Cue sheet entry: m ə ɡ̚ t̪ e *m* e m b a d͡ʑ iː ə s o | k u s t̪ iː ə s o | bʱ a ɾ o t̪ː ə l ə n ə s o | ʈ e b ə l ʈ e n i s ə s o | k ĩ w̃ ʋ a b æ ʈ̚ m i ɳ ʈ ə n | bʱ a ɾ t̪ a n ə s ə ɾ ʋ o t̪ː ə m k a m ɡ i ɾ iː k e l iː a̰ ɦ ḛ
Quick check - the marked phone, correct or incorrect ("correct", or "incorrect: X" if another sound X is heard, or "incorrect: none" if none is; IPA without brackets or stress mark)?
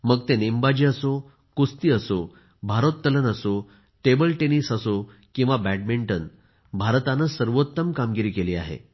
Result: incorrect: n